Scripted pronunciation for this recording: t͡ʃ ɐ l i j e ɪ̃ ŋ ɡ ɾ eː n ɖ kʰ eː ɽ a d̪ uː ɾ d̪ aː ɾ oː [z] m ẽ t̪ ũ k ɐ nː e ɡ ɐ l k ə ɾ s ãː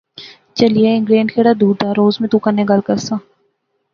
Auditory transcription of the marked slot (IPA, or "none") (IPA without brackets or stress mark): z